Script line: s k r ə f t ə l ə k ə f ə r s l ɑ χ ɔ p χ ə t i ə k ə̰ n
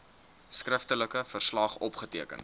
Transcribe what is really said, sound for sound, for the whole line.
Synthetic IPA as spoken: s k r ə f t ə l ə k ə f ə r s l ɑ χ ɔ p χ ə t i ə k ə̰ n